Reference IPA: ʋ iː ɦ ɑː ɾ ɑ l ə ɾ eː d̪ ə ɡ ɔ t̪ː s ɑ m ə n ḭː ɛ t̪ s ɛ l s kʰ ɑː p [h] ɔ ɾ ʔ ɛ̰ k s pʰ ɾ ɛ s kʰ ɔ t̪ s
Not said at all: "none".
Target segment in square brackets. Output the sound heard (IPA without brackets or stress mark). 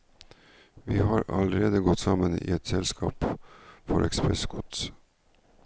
f